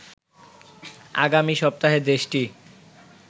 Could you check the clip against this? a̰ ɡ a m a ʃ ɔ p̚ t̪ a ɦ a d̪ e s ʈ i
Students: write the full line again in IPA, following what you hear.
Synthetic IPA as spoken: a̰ ɡ a m i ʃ ɔ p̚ t̪ a ɦ e d̪ e ʃ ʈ i